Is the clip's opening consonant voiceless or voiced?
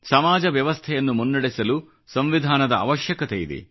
voiceless